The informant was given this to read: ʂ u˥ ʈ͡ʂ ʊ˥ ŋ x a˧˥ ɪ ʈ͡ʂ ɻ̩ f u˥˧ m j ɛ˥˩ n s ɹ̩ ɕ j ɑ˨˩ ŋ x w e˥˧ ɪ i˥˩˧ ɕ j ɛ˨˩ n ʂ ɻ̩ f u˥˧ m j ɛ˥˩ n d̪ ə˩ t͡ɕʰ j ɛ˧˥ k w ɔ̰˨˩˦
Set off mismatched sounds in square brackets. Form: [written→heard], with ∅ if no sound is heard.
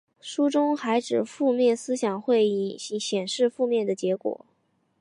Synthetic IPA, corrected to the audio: ʂ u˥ ʈ͡ʂ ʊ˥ ŋ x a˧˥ ɪ ʈ͡ʂ ɻ̩ f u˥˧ m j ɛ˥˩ n s ɹ̩ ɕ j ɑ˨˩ ŋ x w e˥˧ ɪ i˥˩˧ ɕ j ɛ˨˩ n ʂ ɻ̩ f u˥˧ m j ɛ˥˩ n d̪ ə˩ [t͡ɕʰ→t͡ɕ] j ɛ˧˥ k w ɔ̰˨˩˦